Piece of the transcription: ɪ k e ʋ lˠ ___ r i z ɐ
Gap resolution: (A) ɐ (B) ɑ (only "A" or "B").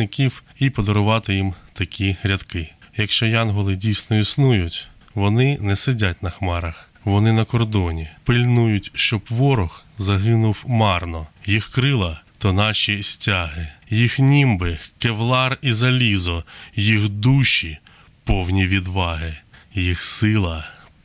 B